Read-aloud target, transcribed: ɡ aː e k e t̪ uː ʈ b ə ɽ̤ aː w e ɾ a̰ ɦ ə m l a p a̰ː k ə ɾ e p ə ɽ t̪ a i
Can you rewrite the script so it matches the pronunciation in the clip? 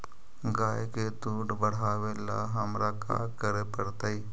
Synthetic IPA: ɡ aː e k e t̪ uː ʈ b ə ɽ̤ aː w e l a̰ ɦ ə m ɾ a k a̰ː k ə ɾ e p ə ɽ t̪ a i